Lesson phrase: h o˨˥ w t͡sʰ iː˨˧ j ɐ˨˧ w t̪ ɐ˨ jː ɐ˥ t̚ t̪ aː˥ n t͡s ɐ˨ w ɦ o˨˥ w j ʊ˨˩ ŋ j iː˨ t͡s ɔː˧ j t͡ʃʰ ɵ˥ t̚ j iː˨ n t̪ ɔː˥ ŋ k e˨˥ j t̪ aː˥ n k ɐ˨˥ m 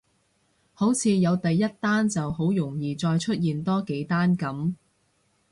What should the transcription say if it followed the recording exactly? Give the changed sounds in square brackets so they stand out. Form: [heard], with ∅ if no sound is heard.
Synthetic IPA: h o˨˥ w t͡sʰ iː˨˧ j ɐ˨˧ w t̪ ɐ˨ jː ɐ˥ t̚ t̪ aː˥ n t͡s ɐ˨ w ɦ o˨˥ w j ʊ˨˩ ŋ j iː˨ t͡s ɔː˧ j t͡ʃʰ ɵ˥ t̚ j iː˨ n t̪ ɔː˥ [∅] k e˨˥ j t̪ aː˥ n k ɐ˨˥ m